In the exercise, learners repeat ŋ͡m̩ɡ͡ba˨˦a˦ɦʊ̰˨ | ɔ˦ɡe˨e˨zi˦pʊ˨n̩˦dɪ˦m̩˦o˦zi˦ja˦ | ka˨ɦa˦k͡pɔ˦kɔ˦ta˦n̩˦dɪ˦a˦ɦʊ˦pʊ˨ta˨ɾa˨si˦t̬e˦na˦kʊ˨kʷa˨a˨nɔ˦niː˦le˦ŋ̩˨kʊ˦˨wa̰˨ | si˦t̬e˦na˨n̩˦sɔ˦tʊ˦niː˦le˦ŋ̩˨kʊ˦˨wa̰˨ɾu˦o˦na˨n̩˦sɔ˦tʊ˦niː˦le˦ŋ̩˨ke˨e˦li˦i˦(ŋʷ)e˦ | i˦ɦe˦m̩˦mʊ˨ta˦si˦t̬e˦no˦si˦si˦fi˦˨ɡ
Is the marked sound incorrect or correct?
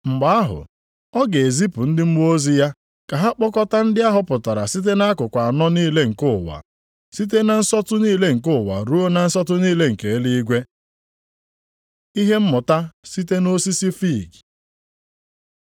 incorrect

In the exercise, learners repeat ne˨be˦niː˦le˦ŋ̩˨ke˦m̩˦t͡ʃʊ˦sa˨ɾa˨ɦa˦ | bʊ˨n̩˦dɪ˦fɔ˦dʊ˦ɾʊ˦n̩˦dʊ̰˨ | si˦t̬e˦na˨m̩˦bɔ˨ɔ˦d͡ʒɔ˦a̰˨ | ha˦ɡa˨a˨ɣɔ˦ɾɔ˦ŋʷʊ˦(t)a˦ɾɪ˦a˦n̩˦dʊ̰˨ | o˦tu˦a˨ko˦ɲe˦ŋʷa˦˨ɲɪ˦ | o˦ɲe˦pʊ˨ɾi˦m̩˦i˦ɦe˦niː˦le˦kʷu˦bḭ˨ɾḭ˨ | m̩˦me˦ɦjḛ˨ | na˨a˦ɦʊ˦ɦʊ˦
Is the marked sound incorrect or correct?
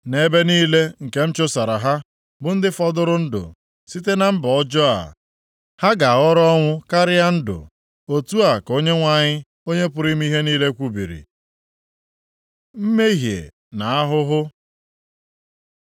incorrect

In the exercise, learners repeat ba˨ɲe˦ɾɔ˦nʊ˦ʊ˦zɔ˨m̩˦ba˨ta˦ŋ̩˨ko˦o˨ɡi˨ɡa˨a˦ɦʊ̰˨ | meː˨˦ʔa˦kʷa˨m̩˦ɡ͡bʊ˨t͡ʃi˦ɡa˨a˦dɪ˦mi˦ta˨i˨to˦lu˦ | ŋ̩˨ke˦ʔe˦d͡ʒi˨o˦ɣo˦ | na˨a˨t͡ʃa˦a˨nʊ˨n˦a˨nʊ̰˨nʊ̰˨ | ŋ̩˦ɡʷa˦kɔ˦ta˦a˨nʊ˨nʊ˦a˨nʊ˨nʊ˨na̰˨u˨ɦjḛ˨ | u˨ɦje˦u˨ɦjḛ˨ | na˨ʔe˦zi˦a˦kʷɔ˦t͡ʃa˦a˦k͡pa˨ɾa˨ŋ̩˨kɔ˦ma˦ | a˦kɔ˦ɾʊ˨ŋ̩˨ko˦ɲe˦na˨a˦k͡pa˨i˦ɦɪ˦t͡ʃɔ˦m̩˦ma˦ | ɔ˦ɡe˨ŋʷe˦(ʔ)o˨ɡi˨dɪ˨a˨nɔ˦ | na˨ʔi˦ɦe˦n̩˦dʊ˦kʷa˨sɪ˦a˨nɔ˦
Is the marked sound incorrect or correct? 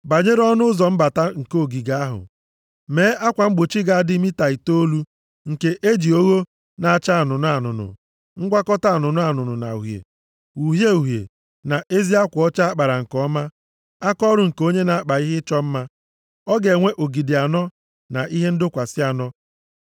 correct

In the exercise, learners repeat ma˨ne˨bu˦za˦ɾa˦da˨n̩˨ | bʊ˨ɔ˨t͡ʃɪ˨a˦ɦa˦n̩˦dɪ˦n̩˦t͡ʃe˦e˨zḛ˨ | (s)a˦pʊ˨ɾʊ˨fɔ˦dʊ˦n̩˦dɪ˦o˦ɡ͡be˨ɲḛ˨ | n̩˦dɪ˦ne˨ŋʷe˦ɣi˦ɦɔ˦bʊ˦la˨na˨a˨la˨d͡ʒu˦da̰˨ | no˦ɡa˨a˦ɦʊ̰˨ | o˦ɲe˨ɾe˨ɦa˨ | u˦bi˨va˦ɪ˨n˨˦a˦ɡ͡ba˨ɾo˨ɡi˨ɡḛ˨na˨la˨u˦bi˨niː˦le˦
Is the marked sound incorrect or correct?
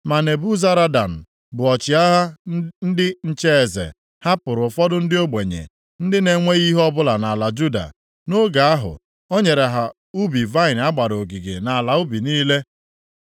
incorrect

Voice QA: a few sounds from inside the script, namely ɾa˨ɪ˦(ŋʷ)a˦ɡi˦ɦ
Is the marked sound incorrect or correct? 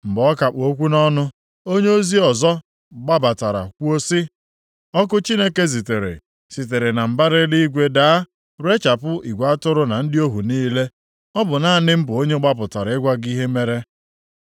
incorrect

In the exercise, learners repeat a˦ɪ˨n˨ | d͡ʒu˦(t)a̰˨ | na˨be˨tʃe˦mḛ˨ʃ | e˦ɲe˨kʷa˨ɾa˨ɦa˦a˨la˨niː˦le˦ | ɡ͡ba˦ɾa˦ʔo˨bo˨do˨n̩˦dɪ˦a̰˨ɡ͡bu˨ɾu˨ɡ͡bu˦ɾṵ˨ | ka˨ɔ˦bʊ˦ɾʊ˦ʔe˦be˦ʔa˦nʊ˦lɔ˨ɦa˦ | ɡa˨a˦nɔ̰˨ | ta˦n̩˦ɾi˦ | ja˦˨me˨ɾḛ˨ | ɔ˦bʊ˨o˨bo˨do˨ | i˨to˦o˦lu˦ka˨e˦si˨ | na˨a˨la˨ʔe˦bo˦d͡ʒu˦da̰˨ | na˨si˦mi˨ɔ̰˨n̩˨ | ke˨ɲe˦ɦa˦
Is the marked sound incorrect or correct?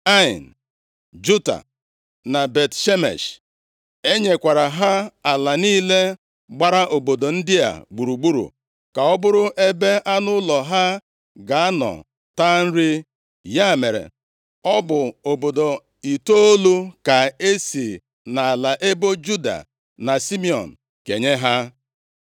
correct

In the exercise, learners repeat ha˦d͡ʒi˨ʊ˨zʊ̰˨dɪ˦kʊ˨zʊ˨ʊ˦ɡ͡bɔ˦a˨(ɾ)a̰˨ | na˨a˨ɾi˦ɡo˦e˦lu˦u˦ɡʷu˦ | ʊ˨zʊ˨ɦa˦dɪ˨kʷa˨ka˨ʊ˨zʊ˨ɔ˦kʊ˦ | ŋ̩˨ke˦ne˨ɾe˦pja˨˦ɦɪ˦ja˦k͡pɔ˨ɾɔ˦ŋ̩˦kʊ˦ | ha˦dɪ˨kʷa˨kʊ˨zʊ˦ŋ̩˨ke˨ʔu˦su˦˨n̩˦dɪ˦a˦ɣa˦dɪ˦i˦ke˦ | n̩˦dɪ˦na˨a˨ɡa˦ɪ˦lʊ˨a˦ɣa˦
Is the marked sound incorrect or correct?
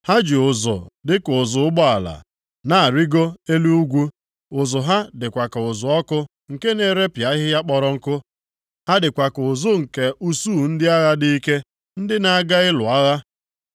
incorrect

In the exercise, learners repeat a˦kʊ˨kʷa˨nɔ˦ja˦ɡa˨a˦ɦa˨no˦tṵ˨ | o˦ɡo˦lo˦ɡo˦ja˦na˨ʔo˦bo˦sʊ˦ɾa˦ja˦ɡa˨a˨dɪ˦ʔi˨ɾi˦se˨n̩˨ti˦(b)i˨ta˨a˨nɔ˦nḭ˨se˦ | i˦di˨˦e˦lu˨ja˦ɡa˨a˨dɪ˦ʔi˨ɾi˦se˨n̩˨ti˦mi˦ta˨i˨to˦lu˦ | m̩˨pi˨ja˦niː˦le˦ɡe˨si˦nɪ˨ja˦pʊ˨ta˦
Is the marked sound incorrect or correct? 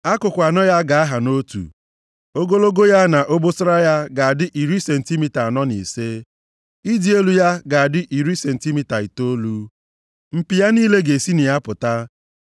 incorrect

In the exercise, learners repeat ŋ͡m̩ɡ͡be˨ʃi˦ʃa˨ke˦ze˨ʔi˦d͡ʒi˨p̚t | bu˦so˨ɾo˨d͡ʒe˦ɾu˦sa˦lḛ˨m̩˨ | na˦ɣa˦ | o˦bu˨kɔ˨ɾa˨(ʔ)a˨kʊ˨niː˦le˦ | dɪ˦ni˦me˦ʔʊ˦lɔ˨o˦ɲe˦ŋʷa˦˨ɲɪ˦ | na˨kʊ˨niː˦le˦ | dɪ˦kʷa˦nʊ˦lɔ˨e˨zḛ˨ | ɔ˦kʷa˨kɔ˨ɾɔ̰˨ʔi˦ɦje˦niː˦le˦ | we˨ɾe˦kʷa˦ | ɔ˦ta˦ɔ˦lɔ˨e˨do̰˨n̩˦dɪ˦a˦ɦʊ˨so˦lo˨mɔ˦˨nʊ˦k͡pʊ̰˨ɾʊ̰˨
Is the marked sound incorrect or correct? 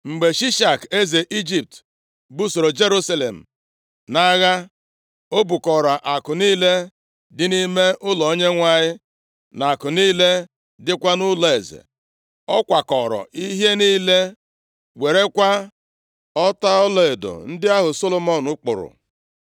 correct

